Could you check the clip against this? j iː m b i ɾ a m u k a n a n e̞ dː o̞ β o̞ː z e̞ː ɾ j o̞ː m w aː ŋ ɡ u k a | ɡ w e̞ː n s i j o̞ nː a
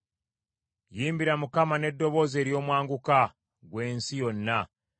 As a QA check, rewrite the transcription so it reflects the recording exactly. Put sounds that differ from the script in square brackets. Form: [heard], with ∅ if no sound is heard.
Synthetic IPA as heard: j iː m b i ɾ a m u k a [m] a n e̞ dː o̞ β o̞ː z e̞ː ɾ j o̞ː m w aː ŋ ɡ u k a | ɡ w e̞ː n s i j o̞ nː a